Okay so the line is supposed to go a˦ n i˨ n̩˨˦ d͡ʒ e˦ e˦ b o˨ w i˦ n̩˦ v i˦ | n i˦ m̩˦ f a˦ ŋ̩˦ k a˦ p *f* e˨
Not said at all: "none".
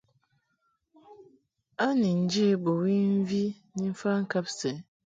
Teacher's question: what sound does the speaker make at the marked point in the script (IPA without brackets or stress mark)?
s